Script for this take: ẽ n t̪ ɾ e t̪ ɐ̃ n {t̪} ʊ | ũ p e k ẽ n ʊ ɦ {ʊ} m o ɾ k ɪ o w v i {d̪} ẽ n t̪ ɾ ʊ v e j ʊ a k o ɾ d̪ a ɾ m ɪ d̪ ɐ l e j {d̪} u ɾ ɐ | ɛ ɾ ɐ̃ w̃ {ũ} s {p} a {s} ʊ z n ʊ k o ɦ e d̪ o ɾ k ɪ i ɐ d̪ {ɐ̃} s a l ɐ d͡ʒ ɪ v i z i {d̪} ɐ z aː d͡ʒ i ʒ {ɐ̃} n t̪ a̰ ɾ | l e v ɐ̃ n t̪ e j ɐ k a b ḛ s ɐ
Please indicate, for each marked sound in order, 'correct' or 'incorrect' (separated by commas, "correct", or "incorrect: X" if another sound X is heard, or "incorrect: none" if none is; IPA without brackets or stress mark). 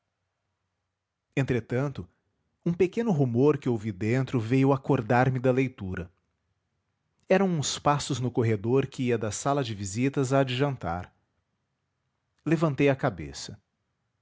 correct, incorrect: u, correct, incorrect: t̪, correct, correct, correct, incorrect: ɐ, incorrect: t̪, correct